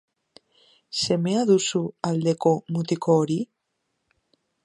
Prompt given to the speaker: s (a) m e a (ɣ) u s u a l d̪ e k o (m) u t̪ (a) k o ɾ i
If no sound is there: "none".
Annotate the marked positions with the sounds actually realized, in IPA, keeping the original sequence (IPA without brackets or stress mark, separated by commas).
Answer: e, ð, m, i